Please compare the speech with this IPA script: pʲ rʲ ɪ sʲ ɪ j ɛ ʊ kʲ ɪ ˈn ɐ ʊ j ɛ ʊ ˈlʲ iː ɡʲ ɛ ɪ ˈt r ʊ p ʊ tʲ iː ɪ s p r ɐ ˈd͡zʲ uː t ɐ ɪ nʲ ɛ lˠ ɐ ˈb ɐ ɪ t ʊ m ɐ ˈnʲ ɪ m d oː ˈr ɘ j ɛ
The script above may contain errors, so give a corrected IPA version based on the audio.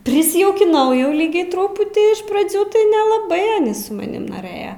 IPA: pʲ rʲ ɪ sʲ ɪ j ɛ ʊ kʲ ɪ ˈn ɐ ʊ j ɛ ʊ ˈlʲ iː ɡʲ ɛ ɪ ˈt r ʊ p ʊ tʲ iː ɪ ʃ p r ɐ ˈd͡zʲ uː t ɐ ɪ nʲ ɛ lˠ ɐ ˈb ɐ ɪ s ʊ m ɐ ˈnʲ ɪ m n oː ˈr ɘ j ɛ